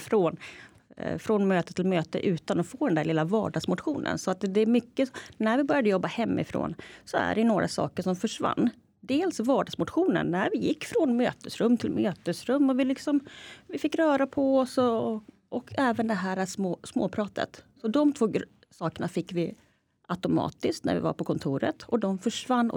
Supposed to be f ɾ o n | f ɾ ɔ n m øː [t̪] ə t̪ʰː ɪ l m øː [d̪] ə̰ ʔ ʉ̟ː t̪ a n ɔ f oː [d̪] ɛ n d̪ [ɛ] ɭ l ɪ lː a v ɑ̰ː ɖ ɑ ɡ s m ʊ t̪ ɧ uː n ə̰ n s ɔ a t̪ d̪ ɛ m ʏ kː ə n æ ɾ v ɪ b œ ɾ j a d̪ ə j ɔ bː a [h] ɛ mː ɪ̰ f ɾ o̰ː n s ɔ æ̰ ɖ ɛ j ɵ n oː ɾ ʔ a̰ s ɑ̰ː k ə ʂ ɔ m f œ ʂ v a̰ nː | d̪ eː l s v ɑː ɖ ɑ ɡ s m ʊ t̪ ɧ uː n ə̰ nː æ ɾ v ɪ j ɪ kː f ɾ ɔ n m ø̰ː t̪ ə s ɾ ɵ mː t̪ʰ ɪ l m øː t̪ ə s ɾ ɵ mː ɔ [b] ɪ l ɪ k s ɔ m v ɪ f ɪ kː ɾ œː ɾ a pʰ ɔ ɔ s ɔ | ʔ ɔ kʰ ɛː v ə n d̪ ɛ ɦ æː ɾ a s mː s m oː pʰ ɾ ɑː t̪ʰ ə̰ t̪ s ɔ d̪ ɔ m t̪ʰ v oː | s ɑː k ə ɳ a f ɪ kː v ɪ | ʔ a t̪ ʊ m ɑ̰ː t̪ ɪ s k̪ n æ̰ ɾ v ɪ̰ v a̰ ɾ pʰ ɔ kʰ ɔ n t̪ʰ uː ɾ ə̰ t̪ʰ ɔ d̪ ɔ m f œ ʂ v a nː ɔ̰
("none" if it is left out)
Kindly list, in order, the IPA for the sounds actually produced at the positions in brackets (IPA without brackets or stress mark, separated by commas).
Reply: t̪, t̪, d̪, æ, h, v